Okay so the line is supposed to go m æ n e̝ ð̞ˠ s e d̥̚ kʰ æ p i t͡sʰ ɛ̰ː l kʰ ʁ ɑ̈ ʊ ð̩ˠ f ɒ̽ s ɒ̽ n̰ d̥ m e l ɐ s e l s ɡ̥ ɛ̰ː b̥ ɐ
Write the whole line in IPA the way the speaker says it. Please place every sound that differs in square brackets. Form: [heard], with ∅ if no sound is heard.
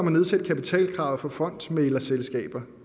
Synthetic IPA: m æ n e̝ ð̞ˠ s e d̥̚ kʰ æ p i t͡sʰ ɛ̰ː l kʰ ʁ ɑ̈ ʊ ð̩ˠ f ɒ̽ [f] ɒ̽ n̰ d̥ m e l ɐ s e l s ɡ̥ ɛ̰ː b̥ ɐ